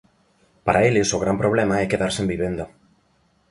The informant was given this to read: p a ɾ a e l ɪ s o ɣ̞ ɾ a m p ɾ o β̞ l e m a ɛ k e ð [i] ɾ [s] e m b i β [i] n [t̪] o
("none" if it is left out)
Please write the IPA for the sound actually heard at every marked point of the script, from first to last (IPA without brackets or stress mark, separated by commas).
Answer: a, s, e, d̪